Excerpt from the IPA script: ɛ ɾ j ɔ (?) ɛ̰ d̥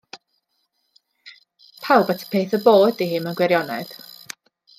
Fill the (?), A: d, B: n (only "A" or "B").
B